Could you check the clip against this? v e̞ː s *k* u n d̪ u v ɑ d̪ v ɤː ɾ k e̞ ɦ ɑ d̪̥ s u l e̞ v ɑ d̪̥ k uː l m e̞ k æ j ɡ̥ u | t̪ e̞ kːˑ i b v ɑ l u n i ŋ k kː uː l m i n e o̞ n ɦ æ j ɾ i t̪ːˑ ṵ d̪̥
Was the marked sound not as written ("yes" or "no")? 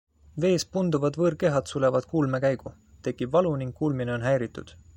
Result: yes